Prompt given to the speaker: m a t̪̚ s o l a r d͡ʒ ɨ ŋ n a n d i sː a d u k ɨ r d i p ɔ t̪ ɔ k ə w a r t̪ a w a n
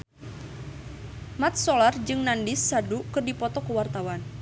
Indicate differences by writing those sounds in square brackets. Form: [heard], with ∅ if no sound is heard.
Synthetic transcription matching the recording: m a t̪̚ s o l a r d͡ʒ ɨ ŋ n a n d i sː a d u k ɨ r d i p ɔ t̪ ɔ k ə w a r t̪ a w a n